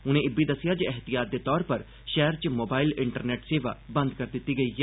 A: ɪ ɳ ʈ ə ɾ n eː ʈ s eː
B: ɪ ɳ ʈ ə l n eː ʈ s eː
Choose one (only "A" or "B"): A